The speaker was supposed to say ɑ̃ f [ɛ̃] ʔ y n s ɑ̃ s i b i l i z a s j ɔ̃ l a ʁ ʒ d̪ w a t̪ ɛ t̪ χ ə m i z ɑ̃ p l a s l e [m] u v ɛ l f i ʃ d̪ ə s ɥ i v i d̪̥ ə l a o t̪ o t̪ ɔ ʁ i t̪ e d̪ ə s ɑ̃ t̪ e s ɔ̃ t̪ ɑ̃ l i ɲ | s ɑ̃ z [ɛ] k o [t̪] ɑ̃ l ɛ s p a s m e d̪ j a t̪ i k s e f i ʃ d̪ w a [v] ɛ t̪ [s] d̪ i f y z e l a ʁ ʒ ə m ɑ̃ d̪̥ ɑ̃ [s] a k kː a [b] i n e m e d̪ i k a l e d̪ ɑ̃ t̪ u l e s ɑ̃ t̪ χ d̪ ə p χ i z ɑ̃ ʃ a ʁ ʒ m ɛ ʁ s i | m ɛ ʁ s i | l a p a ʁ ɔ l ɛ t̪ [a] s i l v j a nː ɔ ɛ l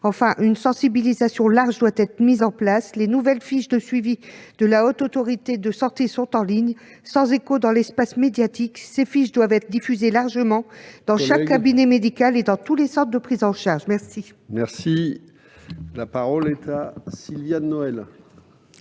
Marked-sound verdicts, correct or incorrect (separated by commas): correct, incorrect, incorrect, incorrect, correct, incorrect, incorrect, correct, correct